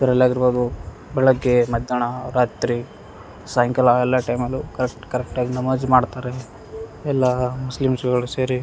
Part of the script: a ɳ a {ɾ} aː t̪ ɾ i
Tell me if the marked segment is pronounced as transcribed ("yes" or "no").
yes